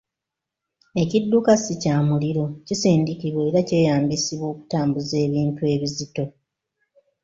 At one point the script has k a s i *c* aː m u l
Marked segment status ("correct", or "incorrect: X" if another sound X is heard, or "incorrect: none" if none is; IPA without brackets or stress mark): correct